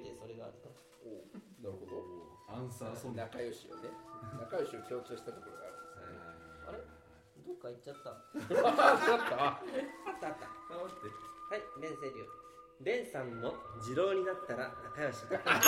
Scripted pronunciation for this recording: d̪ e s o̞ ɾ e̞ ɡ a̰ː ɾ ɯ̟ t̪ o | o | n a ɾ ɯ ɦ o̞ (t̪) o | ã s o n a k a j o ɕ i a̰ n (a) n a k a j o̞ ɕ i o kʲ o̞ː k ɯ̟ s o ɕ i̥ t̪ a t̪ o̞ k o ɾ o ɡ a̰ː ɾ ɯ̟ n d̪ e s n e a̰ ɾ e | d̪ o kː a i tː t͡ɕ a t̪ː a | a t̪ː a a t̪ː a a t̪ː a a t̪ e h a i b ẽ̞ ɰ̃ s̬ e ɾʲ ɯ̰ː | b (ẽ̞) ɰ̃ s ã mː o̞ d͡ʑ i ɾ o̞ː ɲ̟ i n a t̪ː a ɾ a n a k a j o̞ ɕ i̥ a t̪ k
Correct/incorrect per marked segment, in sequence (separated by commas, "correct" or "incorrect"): incorrect, incorrect, correct